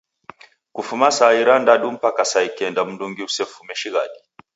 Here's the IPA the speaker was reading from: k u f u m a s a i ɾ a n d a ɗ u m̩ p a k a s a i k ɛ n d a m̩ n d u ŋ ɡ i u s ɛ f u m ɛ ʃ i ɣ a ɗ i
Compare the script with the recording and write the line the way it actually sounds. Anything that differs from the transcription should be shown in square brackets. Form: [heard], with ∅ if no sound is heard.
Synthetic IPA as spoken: k u f u m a s a i ɾ a n d a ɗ u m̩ p a k a s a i k ɛ n d a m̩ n d u ŋ ɡ i u s ɛ f u m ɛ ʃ i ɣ a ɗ i